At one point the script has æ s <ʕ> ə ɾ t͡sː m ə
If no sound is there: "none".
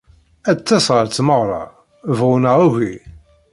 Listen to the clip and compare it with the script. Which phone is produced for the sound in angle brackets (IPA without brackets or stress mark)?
ʁ